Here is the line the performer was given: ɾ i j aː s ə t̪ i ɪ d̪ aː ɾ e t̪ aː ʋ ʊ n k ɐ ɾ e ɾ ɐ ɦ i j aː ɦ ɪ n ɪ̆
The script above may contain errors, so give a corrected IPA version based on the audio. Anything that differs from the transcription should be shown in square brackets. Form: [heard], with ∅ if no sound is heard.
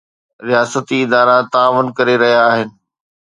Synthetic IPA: ɾ i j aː s ə t̪ i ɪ d̪ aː ɾ [a] t̪ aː ʋ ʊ n k ɐ ɾ e ɾ ɐ ɦ i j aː ɦ ɪ n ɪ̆